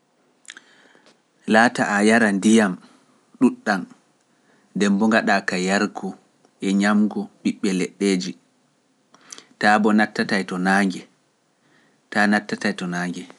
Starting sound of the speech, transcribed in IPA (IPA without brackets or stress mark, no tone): l